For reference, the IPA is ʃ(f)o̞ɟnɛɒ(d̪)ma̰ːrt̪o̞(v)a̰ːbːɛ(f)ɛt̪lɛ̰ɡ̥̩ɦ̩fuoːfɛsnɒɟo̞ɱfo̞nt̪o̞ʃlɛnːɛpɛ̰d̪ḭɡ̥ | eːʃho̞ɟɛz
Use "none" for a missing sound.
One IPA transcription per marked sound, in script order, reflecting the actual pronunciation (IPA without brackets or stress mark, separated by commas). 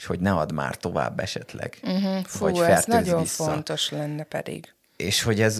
h, d̪, v, ʃ